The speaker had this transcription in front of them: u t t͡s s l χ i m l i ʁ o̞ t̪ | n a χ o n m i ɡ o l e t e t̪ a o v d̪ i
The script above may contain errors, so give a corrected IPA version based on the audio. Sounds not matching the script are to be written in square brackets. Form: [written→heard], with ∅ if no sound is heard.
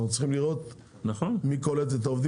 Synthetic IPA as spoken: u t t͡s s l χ i m l i ʁ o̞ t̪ | n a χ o n m i [ɡ→k] o l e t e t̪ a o v d̪ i